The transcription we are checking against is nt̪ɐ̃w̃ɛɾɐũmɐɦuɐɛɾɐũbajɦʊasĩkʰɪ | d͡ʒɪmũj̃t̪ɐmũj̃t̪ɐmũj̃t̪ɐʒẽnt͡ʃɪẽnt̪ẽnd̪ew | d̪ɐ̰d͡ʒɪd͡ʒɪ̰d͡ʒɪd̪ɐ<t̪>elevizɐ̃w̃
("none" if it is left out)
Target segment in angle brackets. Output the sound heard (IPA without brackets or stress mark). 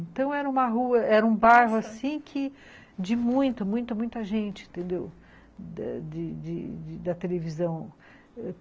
t̪